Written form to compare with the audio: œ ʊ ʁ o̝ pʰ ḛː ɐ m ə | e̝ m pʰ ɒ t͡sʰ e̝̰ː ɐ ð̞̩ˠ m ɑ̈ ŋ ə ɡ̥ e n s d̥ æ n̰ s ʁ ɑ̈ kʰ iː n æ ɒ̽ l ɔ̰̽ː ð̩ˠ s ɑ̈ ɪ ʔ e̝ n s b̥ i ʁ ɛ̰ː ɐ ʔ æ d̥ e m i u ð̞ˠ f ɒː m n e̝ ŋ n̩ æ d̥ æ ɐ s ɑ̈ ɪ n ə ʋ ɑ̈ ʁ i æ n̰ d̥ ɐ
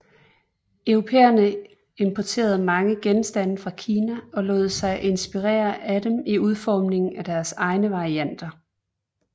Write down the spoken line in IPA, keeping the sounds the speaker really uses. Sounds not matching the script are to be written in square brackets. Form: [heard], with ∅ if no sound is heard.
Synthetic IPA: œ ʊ ʁ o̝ pʰ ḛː ɐ [n] ə | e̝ m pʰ ɒ t͡sʰ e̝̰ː ɐ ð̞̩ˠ m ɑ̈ ŋ ə ɡ̥ e n s d̥ æ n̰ [f] ʁ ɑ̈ kʰ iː n æ ɒ̽ l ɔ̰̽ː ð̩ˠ s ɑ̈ ɪ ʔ e̝ n s b̥ i ʁ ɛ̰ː ɐ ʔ æ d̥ e m i u ð̞ˠ f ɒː m n e̝ ŋ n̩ æ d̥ æ ɐ s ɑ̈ ɪ n ə ʋ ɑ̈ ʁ i æ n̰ d̥ ɐ